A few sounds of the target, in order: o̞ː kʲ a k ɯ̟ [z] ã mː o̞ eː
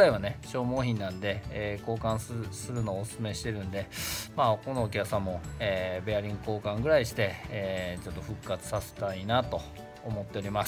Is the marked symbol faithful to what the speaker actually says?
no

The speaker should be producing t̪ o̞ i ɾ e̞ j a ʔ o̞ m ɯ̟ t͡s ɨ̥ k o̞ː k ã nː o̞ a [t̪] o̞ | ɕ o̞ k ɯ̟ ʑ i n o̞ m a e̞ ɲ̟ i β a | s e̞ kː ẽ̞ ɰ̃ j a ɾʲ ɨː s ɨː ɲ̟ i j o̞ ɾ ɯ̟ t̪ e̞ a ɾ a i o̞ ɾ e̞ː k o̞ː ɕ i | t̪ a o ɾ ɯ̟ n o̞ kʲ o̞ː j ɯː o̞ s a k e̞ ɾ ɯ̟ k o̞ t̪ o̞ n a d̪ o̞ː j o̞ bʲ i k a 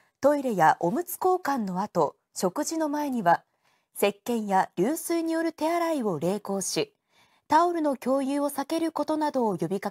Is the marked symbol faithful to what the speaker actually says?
yes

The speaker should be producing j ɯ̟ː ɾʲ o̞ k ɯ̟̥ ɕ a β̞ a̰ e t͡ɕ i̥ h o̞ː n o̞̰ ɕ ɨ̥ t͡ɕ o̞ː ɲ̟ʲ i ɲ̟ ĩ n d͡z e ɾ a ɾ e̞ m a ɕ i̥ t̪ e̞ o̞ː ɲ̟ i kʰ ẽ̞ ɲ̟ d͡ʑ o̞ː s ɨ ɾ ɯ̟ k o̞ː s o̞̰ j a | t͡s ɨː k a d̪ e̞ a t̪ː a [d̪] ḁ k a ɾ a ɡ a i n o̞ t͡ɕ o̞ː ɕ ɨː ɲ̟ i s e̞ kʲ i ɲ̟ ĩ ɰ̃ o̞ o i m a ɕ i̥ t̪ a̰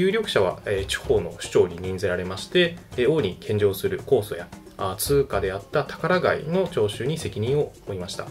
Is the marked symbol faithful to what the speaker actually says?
no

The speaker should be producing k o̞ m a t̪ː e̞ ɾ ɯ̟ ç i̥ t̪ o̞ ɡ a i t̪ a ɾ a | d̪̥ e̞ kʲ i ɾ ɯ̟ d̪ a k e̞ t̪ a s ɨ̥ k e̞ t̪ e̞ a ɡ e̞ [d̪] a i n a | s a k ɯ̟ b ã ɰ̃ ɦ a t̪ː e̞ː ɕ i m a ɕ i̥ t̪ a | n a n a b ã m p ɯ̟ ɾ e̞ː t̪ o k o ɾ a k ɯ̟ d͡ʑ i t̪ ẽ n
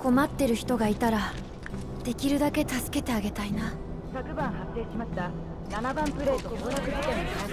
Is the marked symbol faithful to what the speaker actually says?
no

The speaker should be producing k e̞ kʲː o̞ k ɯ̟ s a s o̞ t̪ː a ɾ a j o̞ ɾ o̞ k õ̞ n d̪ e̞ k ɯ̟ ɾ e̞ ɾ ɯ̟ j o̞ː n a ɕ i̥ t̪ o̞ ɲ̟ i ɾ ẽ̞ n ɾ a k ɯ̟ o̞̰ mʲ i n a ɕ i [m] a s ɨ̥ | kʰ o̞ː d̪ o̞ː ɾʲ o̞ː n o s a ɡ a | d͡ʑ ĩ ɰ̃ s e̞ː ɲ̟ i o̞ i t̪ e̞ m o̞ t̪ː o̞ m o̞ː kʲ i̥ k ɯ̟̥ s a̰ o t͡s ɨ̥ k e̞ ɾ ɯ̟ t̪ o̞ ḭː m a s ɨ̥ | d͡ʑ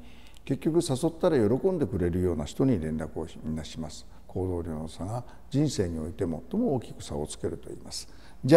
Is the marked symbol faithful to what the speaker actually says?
yes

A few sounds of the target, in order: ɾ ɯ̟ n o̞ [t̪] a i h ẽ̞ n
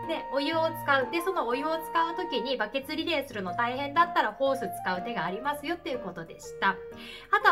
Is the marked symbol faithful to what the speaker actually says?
yes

